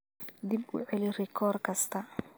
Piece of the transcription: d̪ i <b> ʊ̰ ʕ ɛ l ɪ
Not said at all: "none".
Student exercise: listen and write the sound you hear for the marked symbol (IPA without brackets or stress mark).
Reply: b